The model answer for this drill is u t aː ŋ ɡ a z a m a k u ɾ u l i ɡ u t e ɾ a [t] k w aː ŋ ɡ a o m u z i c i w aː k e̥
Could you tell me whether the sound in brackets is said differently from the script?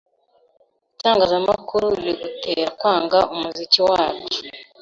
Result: yes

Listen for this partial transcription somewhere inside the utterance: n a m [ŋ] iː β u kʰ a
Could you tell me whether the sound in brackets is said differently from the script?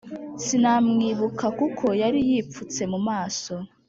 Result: no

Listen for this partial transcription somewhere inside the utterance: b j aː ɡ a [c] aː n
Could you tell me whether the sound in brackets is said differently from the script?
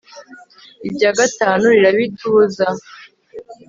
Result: yes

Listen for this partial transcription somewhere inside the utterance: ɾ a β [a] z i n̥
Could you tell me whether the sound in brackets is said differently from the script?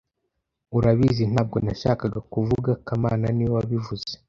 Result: yes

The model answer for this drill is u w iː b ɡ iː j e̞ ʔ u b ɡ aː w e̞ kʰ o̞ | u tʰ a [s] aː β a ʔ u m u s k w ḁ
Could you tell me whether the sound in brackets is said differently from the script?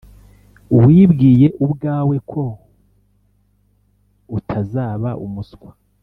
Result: yes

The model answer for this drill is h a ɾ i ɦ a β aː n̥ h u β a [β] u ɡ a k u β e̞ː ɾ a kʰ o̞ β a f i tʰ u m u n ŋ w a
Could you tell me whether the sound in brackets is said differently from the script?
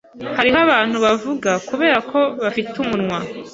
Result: yes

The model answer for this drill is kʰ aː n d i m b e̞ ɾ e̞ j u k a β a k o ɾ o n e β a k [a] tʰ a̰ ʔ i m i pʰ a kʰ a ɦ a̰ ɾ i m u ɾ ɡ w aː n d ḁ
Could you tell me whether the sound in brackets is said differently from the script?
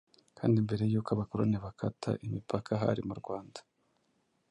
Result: no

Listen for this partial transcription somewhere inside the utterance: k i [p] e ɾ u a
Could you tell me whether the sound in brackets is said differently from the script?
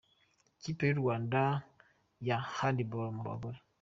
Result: no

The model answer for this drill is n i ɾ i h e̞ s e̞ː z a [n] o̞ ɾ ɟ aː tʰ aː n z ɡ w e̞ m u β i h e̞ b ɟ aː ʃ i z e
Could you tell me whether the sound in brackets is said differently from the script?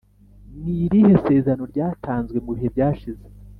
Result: no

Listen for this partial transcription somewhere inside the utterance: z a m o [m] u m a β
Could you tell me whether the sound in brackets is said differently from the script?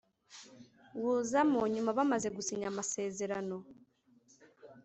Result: yes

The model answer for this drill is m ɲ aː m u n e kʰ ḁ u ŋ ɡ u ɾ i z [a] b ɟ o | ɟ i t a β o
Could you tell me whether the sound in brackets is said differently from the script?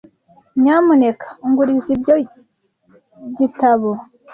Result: yes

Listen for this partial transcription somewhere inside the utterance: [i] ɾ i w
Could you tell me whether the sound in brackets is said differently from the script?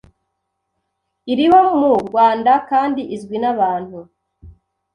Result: no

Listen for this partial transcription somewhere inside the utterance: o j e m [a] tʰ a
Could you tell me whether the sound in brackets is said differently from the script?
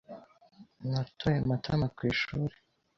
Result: no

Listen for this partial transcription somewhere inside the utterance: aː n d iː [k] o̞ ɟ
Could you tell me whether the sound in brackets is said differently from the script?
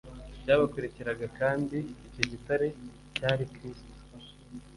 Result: yes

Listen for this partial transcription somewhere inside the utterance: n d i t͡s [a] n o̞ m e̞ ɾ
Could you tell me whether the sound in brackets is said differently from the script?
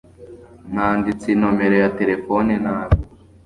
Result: yes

